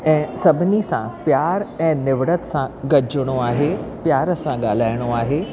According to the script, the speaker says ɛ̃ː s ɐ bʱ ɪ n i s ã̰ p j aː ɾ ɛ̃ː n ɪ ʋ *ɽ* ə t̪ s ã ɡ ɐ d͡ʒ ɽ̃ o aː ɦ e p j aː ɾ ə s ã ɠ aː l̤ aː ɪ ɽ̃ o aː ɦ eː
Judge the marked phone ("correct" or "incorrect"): correct